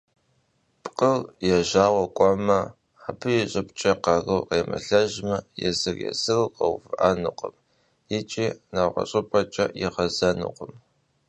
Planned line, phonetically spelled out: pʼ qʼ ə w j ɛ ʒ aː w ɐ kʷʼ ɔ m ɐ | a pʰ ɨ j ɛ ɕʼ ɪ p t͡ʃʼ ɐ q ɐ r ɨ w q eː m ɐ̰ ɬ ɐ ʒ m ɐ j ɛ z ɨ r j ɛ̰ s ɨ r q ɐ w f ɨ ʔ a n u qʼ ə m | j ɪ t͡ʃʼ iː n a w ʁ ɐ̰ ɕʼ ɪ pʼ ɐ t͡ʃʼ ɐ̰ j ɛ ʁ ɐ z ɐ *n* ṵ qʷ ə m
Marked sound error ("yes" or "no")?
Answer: no